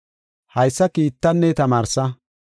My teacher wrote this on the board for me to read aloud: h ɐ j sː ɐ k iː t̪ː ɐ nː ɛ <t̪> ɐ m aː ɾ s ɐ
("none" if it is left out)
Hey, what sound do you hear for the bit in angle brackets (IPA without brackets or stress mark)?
t̪